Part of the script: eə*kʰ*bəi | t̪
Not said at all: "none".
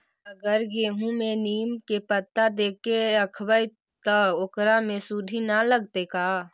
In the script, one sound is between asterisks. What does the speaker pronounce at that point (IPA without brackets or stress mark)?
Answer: kʰ